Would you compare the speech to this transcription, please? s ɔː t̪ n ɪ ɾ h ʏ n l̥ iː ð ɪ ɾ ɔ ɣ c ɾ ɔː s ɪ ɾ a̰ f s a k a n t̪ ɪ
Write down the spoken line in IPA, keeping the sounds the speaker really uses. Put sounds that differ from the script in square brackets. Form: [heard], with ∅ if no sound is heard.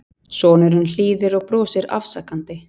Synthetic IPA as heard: s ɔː [∅] n ɪ ɾ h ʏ n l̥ iː ð ɪ ɾ ɔ ɣ [p] ɾ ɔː s ɪ ɾ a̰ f s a k a n t̪ ɪ